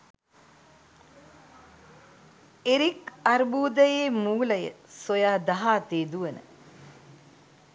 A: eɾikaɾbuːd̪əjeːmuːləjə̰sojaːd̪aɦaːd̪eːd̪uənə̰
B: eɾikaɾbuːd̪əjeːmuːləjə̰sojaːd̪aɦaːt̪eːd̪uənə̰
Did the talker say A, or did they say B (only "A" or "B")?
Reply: B